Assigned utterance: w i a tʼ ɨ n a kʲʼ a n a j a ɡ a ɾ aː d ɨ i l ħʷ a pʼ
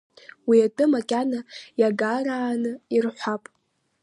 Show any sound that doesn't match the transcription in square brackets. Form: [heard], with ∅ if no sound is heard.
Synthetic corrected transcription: w i a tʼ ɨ [m] a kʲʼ a n a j a ɡ a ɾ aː [n] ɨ i [r] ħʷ a pʼ